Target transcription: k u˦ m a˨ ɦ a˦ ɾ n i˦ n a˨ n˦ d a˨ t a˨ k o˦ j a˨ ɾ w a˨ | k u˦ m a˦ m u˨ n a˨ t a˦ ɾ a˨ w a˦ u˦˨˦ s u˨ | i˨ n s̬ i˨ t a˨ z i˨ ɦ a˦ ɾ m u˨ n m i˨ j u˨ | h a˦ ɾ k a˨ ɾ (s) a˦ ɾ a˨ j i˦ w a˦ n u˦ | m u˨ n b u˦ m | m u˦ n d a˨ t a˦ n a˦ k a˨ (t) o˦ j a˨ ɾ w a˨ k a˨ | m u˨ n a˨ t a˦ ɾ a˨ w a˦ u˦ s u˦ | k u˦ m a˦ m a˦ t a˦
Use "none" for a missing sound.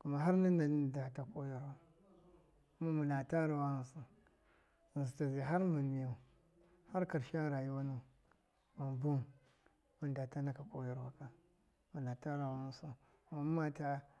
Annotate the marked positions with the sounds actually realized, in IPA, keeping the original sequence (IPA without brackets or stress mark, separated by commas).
ʃ, k